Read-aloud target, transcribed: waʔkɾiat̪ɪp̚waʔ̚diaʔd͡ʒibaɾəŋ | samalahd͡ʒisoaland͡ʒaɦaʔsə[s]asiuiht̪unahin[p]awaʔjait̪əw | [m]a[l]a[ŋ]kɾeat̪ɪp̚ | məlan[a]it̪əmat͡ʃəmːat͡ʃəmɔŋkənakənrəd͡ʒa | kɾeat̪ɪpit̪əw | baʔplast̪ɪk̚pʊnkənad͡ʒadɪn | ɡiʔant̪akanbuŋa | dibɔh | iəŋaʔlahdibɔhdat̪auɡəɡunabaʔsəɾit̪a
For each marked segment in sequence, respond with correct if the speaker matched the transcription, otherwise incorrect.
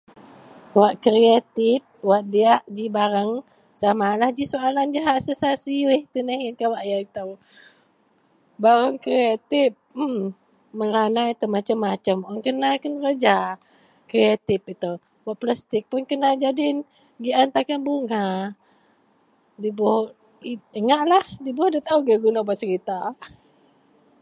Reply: correct, incorrect, incorrect, incorrect, correct, correct

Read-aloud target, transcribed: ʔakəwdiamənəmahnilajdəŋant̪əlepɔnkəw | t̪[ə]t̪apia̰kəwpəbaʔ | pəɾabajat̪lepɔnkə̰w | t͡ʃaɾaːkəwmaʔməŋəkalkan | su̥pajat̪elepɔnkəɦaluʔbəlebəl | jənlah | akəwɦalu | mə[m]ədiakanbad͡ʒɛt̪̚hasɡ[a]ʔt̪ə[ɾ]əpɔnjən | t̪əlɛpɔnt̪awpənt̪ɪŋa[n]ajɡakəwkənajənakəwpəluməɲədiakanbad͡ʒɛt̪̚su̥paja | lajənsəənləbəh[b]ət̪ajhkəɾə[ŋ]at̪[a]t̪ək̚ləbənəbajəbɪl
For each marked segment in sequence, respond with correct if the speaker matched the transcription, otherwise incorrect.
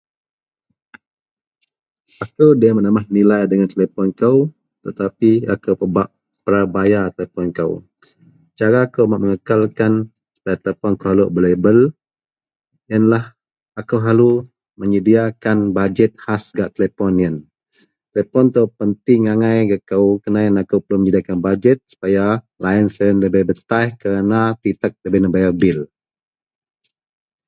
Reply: correct, incorrect, correct, incorrect, incorrect, correct, incorrect, incorrect

